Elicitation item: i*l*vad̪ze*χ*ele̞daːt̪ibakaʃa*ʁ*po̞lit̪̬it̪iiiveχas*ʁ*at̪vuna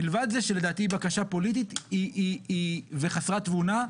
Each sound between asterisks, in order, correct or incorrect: correct, incorrect: ʃ, incorrect: none, correct

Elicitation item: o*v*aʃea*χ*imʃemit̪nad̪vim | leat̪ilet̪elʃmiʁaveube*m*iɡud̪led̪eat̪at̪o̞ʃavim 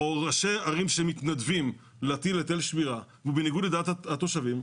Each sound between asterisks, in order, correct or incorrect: incorrect: ʁ, incorrect: ʁ, incorrect: n

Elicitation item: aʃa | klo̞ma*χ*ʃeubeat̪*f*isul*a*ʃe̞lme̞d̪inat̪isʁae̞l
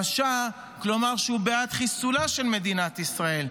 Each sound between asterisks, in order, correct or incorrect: incorrect: ʁ, incorrect: χ, correct

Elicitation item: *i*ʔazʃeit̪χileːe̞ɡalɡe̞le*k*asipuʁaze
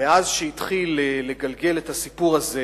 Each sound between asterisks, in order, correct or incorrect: incorrect: e, incorrect: t

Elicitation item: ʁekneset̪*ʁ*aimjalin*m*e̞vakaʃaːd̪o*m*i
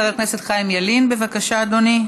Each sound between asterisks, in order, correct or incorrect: incorrect: χ, incorrect: b, incorrect: n

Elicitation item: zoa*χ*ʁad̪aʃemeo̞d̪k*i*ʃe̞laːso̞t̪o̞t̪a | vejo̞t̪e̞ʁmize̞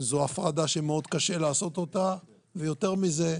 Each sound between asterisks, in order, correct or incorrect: incorrect: f, incorrect: a

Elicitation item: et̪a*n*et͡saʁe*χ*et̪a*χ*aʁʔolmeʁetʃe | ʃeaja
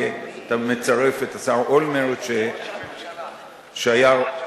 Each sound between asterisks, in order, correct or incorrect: incorrect: m, incorrect: f, incorrect: s

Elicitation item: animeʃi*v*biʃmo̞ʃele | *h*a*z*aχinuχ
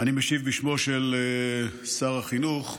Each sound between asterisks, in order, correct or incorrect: correct, incorrect: s, incorrect: ʁ

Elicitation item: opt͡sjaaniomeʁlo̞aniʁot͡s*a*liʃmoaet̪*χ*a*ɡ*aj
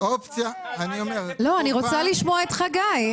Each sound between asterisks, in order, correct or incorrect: correct, correct, correct

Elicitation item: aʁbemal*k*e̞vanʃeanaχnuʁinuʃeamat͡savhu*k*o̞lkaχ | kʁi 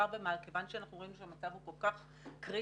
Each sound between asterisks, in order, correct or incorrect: correct, correct

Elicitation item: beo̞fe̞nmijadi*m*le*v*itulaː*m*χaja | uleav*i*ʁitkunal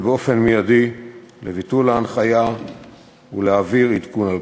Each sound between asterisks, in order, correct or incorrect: incorrect: none, correct, incorrect: n, correct

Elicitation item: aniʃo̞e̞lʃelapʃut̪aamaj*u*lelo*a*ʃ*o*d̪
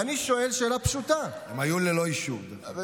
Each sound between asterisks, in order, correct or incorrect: correct, incorrect: i, incorrect: u

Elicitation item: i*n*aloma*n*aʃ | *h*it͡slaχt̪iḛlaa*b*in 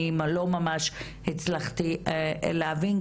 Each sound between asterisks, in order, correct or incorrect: incorrect: m, incorrect: m, correct, incorrect: v

